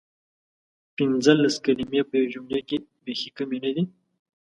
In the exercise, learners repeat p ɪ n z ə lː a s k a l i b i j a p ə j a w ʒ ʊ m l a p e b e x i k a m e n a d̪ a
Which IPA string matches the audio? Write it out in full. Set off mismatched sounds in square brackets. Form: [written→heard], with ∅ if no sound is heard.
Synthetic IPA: p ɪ n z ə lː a s k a l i [b→m] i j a p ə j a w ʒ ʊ m l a [p→k] e b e x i k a m e n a d̪ [a→i]

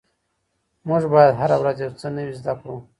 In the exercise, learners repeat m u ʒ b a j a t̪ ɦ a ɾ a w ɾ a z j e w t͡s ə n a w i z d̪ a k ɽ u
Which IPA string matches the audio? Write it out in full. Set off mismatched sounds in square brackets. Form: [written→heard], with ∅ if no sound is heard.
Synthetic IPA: m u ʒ b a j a [t̪→d̪] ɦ a ɾ a w ɾ a z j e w t͡s ə n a w i z d̪ a k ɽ u

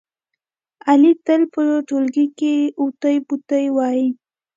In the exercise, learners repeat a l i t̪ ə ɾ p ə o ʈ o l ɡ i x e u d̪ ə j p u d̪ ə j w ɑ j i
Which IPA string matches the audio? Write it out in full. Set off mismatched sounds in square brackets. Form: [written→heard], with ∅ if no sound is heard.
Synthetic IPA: a l i t̪ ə [ɾ→l] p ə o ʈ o l ɡ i [x→k] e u [d̪→t̪] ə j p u [d̪→t̪] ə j w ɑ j i

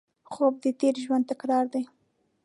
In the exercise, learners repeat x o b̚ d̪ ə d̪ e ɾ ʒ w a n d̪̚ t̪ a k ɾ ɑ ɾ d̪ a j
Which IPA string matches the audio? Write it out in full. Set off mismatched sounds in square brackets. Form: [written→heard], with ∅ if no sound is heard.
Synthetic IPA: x o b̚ d̪ ə [d̪→t̪] e ɾ ʒ w a n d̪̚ t̪ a k ɾ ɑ ɾ d̪ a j

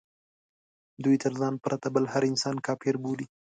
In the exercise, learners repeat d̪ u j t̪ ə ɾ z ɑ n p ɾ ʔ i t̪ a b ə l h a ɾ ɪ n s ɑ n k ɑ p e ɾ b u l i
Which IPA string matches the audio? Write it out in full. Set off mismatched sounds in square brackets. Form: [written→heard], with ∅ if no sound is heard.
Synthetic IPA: d̪ u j t̪ ə ɾ z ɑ n p ɾ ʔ [i→a] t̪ a b ə l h a ɾ ɪ n s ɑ n k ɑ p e ɾ b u l i

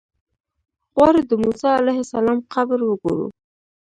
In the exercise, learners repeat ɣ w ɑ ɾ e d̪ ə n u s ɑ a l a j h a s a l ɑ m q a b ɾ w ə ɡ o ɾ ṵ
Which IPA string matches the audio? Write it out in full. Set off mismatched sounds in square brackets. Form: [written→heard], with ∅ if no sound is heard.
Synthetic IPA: ɣ w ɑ ɾ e d̪ ə [n→m] u s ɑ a l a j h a s a l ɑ m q a b ɾ w ə ɡ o ɾ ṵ

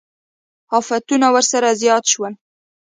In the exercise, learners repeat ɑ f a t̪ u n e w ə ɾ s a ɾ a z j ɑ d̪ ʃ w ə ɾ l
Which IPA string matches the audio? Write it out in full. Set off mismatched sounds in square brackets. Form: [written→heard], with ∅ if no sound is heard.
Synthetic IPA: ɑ f a t̪ u n [e→a] w ə ɾ s a ɾ a z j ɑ [d̪→t̪] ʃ w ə [ɾ→∅] l

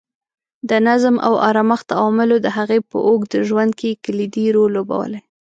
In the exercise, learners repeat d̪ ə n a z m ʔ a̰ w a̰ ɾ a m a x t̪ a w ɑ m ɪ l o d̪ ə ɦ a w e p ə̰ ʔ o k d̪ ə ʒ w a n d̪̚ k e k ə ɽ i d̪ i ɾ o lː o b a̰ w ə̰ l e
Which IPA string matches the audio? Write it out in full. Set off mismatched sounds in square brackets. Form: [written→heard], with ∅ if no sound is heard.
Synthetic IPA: d̪ ə n a z m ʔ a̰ w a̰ ɾ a m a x t̪ a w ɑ m ɪ l o d̪ ə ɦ a [w→ɣ] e p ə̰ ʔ o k d̪ ə ʒ w a n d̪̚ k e k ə [ɽ→l] i d̪ i ɾ o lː o b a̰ w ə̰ l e

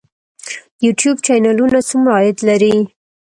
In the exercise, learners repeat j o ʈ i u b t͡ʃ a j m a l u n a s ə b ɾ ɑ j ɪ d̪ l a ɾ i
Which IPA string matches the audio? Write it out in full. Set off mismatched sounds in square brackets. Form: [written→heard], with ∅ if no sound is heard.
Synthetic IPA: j [o→u] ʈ [i→j] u b t͡ʃ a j [m→n] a l u n a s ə [b→m] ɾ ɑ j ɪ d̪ l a ɾ i

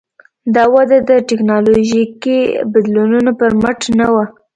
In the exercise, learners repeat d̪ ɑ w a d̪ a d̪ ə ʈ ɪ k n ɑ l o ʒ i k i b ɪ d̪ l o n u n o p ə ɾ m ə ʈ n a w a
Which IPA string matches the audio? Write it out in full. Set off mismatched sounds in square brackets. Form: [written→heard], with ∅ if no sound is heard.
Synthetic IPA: d̪ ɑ w a d̪ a d̪ ə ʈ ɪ k n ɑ l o ʒ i k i b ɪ d̪ l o n u n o p ə ɾ m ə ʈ n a w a

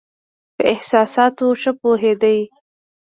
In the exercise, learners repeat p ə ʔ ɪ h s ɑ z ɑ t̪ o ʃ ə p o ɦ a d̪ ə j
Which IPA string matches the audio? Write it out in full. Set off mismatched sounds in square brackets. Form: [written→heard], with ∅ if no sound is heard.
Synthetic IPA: p ə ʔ ɪ h s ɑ [z→s] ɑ t̪ o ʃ ə p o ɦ [a→e] d̪ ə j

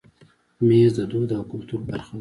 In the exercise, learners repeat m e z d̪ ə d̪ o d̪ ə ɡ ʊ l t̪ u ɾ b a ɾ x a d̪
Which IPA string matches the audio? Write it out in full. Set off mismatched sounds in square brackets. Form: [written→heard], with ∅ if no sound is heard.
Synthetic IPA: m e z d̪ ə d̪ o d̪ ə [ɡ→k] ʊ l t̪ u ɾ b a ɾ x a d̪

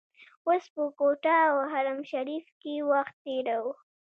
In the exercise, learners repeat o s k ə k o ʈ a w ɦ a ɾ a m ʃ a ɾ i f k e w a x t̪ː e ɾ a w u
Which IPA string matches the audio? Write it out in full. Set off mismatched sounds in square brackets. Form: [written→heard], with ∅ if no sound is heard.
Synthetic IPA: o s [k→p] ə k o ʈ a w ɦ a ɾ a m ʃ a ɾ i f k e w a x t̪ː e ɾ a w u

